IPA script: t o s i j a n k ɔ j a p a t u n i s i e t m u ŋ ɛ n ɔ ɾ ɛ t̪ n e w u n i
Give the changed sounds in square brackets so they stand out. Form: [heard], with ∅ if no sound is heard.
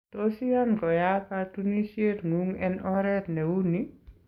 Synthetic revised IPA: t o s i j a n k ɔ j a p a t u n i s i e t [ŋ] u ŋ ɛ n ɔ ɾ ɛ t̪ n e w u n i